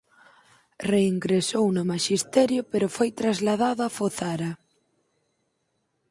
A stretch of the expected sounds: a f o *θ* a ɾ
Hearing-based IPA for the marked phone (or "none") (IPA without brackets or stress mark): θ